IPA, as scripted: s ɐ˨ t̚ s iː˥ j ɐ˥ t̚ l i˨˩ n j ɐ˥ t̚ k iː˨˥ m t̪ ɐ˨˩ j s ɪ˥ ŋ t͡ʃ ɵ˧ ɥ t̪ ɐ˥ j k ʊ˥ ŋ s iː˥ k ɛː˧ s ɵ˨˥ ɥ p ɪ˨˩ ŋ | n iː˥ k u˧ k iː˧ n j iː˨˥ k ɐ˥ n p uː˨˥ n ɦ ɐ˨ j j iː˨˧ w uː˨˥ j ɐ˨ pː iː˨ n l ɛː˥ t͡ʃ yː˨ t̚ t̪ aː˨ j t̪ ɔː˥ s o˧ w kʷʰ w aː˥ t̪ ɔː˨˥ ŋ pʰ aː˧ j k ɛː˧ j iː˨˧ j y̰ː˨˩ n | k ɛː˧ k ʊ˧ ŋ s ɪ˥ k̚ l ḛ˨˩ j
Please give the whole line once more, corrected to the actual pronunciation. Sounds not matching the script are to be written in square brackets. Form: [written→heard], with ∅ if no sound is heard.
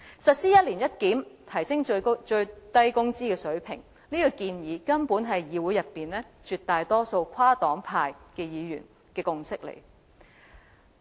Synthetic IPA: s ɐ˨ t̚ s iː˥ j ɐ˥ t̚ l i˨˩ n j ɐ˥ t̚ k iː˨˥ m [t̪→t̪ʰ] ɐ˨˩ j s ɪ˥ ŋ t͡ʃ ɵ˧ ɥ t̪ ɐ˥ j k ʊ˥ ŋ [s→t͡s] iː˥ k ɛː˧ s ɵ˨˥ ɥ [p→pʰ] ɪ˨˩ ŋ | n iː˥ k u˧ k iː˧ n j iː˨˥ k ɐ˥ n p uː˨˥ n ɦ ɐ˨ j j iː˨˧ w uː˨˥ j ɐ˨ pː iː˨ n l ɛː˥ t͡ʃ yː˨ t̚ t̪ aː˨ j t̪ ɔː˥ s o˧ w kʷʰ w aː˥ t̪ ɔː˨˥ ŋ pʰ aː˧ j k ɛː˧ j iː˨˧ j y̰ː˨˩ n | k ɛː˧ k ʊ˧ ŋ s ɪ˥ k̚ l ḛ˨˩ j